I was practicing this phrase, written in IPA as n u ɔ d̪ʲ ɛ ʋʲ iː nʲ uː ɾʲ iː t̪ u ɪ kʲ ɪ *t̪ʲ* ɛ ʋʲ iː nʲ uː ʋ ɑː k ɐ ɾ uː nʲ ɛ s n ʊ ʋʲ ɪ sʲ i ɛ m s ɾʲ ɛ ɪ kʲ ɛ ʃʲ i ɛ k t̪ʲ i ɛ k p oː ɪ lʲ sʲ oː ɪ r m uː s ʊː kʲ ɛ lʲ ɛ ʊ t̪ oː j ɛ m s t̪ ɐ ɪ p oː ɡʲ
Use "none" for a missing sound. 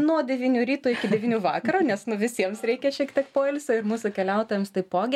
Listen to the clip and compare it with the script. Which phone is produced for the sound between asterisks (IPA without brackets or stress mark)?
d̪ʲ